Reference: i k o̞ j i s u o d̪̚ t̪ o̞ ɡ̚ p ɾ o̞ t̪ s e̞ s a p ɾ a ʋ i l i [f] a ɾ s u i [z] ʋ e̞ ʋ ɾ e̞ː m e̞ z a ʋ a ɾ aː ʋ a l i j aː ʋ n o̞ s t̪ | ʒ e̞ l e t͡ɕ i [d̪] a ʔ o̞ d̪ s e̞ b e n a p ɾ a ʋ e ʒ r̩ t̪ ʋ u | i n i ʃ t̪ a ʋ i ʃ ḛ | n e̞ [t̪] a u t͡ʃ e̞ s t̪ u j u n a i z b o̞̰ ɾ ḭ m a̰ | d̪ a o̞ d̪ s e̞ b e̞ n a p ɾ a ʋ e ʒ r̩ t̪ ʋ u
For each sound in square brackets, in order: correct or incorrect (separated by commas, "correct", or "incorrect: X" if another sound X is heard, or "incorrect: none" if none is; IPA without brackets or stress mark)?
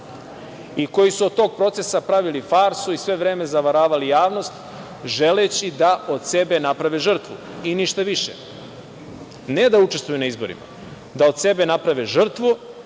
correct, incorrect: s, correct, incorrect: d̪